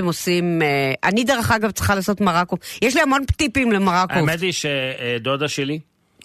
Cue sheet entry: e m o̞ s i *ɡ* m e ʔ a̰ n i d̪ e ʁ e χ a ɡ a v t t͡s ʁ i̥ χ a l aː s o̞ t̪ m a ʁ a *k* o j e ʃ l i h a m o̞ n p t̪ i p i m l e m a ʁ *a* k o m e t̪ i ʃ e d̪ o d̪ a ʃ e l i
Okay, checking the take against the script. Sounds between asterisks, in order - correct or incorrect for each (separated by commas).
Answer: incorrect, correct, correct